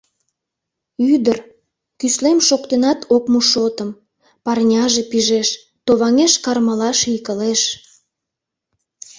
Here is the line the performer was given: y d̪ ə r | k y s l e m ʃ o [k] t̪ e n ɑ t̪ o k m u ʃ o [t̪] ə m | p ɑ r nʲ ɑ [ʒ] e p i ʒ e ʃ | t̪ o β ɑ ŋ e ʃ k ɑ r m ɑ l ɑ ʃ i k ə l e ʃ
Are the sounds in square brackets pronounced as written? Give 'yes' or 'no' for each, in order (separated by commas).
yes, yes, yes